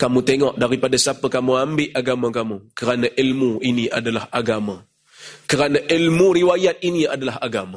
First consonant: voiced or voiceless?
voiceless